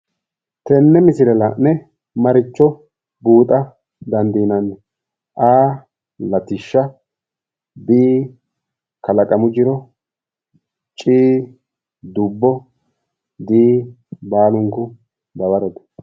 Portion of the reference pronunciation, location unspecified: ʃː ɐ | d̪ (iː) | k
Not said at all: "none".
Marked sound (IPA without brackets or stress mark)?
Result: iː